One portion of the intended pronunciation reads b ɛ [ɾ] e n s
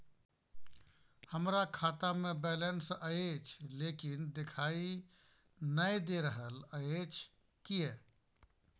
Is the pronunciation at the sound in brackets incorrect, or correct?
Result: incorrect: l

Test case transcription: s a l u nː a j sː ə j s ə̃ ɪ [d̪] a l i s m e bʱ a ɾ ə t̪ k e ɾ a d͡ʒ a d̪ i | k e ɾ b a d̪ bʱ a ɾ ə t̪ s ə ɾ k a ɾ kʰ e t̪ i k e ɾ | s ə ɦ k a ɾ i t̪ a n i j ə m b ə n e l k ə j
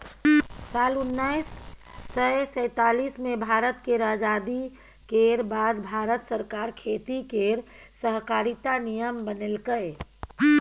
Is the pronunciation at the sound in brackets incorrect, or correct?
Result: incorrect: t̪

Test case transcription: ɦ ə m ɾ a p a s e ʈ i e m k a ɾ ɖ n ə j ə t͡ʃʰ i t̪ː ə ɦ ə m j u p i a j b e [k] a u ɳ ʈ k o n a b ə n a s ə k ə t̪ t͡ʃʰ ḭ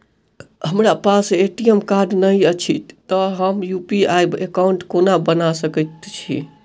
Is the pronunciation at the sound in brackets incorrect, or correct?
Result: correct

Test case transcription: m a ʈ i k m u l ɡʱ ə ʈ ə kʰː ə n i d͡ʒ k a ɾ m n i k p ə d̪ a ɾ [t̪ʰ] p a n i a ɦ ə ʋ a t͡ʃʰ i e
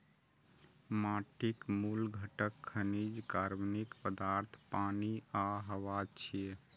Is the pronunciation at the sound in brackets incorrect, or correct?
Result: correct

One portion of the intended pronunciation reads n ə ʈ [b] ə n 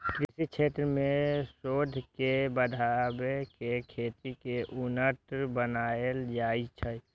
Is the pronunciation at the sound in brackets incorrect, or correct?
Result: correct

